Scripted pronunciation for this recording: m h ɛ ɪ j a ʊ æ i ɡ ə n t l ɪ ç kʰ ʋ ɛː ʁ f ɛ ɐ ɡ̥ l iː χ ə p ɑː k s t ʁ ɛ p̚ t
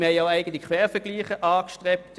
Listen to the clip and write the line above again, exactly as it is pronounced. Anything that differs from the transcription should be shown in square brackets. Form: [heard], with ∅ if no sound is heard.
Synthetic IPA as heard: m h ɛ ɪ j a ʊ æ [ɪ] ɡ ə n t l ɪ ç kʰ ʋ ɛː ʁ f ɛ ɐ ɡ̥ l iː χ ə [ʔ] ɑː k [ʃ] t ʁ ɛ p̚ t

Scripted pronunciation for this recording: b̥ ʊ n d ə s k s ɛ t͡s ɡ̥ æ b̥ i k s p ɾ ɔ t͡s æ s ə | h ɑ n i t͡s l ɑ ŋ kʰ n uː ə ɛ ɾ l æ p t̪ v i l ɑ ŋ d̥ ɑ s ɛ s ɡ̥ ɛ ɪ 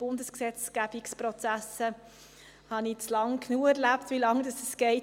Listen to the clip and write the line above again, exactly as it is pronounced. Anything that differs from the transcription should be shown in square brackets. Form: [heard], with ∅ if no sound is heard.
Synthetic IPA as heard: b̥ ʊ n d ə s k s ɛ t͡s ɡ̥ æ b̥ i k s p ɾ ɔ t͡s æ s ə | h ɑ n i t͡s l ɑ ŋ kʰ n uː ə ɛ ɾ l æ p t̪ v i l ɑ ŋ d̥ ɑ s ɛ s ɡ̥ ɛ ɪ

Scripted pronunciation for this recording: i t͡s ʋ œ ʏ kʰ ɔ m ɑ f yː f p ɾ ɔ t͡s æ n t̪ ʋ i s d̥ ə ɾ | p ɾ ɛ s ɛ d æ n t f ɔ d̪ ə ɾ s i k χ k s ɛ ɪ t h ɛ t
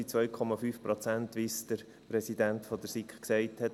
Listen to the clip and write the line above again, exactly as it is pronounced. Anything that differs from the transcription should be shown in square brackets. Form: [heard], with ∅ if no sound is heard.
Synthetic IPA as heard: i t͡s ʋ œ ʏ kʰ ɔ m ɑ f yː f p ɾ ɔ t͡s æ n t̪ ʋ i s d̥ ə ɾ | p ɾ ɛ s [i] d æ n t f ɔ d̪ ə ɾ s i k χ k s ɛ ɪ t h ɛ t

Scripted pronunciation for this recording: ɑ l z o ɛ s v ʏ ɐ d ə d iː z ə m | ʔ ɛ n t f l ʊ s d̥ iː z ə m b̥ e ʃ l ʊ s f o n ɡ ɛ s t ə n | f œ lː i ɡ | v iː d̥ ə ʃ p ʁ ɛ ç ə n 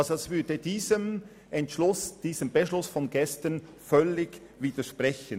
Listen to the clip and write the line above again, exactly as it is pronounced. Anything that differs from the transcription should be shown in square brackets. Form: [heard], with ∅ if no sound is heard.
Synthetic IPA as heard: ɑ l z o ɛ s v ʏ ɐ d ə d iː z ə m | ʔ ɛ n t [ʃ] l ʊ s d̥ iː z ə m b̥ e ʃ l ʊ s f [ɔ] n ɡ ɛ s t ə n | f œ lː [ɪ] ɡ | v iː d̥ ə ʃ p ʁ ɛ ç ə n

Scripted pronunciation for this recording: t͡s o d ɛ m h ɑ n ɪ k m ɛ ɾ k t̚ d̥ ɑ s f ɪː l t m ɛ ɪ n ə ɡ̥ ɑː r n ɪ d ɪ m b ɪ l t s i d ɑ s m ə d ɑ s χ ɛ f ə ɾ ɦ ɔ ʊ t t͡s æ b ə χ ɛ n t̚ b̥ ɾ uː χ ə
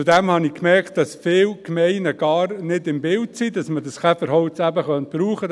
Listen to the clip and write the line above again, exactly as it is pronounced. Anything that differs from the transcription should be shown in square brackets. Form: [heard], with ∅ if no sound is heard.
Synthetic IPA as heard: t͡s [u] d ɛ m h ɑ n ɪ k m ɛ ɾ k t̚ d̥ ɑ s f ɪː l [k] m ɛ ɪ n ə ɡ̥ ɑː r n ɪ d ɪ m b ɪ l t s i d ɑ s m ə d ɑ s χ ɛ f ə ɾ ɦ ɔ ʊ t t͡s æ b ə χ [œ] n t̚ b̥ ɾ uː χ ə

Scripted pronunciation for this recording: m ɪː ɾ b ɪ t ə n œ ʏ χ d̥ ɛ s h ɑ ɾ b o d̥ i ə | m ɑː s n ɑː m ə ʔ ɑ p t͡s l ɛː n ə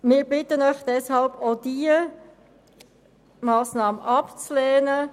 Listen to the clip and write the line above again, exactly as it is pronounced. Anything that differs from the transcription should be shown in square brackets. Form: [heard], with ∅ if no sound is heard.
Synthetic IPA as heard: m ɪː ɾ b ɪ t ə n œ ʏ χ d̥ ɛ s h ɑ [l] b o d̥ i ə | m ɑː s n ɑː m ə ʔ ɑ p t͡s l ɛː n ə

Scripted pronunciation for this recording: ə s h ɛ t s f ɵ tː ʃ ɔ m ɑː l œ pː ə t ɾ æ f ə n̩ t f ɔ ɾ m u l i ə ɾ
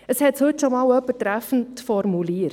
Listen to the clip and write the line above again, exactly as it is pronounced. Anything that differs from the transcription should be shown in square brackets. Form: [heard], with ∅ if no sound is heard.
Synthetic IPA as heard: ə s h ɛ t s [h] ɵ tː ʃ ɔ m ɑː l œ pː ə t ɾ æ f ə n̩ t f ɔ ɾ m u l i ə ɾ

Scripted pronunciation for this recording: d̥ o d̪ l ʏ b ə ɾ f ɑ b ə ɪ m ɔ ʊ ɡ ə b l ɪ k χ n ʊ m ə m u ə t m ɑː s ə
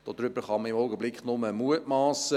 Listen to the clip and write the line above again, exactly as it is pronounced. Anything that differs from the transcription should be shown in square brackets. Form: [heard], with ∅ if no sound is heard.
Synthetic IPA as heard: d̥ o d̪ [ɾ] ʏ b ə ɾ [χ] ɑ [m] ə ɪ m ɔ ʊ ɡ ə b l ɪ k χ n ʊ m ə m u ə t m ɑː s ə

